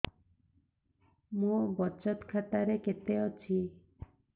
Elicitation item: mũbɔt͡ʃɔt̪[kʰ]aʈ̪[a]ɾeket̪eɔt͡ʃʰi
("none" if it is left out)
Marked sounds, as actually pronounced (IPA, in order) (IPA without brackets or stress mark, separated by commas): kʰ, a